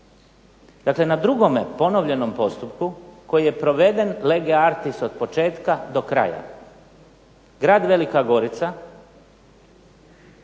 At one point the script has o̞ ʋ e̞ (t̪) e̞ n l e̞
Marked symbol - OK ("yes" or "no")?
no